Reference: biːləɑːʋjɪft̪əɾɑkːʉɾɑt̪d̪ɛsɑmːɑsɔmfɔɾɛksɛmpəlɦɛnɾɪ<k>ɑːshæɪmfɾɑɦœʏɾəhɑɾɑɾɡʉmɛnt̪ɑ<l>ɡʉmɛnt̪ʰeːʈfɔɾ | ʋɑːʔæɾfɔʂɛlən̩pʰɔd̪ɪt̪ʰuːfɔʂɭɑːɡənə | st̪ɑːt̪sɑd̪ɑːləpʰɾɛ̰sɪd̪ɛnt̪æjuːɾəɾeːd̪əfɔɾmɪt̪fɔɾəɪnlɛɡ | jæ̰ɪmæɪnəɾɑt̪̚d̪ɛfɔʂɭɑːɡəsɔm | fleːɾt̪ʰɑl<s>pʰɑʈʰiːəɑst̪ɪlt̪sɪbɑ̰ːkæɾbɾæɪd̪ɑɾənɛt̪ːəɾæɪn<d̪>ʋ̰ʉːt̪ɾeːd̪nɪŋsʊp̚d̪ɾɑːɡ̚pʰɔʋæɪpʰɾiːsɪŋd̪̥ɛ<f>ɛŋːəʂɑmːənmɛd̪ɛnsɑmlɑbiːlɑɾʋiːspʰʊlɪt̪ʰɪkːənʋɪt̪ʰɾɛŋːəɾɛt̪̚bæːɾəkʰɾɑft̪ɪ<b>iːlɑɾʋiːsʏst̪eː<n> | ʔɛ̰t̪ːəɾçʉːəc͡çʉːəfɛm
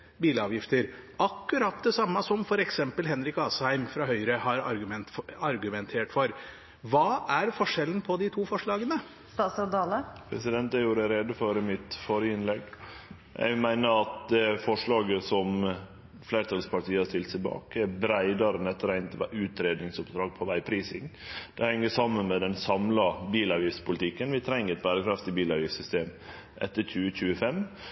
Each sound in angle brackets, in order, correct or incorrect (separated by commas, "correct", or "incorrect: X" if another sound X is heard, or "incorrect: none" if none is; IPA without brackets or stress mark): correct, incorrect: ɾ, correct, incorrect: t̪, incorrect: h, correct, incorrect: m